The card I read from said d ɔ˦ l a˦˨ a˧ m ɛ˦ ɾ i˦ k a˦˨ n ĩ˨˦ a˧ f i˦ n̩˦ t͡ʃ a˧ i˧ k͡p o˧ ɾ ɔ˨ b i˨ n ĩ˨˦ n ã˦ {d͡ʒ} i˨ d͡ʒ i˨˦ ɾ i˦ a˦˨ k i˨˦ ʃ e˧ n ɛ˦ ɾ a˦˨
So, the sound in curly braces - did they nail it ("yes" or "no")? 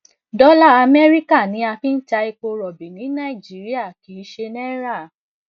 no